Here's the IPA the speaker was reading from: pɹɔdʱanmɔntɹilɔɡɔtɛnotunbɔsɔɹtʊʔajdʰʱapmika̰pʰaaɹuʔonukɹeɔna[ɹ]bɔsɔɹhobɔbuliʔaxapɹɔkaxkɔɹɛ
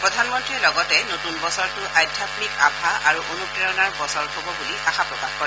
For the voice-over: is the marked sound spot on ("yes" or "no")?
yes